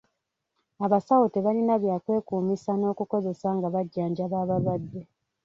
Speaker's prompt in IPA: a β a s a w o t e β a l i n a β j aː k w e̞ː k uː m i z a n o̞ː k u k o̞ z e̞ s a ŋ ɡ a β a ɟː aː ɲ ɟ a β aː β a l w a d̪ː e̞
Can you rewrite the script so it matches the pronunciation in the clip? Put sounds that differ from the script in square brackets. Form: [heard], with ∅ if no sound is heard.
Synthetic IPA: a β a s a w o t e β a l i n a β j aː k w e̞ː k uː m i [s] a n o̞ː k u k o̞ z e̞ s a ŋ ɡ a β a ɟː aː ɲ ɟ a β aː β a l w a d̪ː e̞

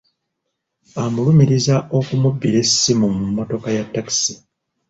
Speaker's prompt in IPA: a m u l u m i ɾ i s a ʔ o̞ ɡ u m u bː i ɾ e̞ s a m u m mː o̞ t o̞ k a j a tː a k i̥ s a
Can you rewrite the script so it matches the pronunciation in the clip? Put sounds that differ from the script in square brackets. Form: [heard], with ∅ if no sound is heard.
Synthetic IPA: a m u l u m i ɾ i [z] a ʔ o̞ [k] u m u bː i ɾ e̞ s [i] m u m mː o̞ t o̞ k a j a tː a k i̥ s [i]

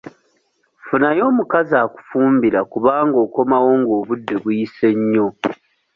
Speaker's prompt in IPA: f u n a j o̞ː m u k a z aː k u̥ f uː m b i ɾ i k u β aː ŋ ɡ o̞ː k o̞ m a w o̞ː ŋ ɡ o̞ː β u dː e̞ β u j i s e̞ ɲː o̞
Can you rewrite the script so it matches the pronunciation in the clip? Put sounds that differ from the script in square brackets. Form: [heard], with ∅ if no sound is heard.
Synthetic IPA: f u n a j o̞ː m u k a z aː k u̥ f uː m b i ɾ [a] k u β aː ŋ ɡ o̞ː k o̞ m a w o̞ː ŋ ɡ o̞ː β u dː e̞ β u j i s e̞ ɲː o̞

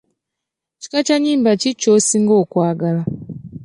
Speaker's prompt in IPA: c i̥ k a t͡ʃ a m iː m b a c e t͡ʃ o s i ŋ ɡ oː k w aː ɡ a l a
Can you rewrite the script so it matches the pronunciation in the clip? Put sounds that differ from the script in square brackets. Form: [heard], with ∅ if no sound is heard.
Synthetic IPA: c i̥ k a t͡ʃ a [ɲ] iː m b a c [i] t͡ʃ o s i ŋ ɡ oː k w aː ɡ a l a

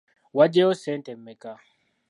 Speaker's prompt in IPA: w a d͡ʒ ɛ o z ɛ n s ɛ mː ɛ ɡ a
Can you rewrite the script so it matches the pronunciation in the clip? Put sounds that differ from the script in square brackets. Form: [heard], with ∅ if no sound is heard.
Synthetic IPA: w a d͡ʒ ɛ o [s] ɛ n [t] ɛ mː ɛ [k] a

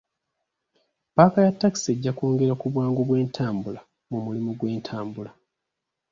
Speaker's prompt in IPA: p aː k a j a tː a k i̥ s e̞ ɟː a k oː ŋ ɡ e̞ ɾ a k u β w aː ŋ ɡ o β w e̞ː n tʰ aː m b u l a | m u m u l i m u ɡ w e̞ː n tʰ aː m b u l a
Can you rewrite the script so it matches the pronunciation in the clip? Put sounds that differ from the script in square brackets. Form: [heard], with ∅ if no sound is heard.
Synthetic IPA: p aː k a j a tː a k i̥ s e̞ ɟː a k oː ŋ ɡ e̞ ɾ a k u β w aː ŋ ɡ o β w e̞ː n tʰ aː m b u l a | m u m u l i m u ɡ w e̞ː n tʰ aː m b u l a

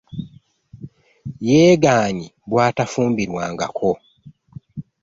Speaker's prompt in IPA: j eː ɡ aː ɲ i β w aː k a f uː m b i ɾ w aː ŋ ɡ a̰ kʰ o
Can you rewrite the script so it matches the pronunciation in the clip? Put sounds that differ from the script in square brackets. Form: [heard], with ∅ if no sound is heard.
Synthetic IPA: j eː ɡ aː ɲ i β w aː [t] a f uː m b i ɾ w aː ŋ ɡ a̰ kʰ o

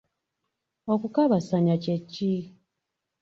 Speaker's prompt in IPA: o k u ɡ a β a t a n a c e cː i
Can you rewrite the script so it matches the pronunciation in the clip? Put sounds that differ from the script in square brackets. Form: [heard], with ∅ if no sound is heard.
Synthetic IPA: o k u [k] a β a [s] a [ɲ] a c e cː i

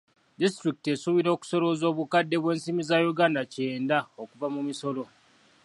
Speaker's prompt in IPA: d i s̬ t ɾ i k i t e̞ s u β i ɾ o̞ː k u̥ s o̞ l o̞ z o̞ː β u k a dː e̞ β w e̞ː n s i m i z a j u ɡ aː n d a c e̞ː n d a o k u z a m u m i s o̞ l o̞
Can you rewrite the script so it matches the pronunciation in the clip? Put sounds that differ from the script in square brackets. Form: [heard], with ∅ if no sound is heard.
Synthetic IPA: d i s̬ t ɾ i k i t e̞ s u β i ɾ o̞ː k u̥ s o̞ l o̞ z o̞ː β u k a dː e̞ β w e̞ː n s i m i z a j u ɡ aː n d a c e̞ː n d a o k u [v] a m u m i s o̞ l o̞

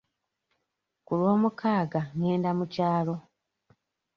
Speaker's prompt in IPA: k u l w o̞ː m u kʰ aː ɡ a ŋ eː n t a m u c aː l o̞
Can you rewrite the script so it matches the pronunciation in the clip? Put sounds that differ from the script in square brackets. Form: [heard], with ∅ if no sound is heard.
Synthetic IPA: k u l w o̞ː m u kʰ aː ɡ a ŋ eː n [d] a m u c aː l o̞

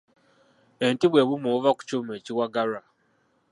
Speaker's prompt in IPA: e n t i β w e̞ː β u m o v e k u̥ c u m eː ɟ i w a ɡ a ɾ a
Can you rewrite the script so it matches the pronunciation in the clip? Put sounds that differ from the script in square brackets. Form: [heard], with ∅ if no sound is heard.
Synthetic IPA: e n t i β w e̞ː β u m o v [a] k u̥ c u m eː [c] i w a ɡ a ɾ a

